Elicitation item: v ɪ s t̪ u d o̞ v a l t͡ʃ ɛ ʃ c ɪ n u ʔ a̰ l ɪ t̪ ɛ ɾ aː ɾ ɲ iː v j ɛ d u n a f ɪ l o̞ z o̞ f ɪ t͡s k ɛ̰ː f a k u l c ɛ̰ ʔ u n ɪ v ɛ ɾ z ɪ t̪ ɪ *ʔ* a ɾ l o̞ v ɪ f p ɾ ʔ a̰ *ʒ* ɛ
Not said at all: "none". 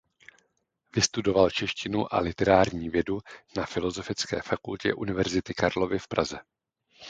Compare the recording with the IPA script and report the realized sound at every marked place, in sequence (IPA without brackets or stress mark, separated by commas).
k, z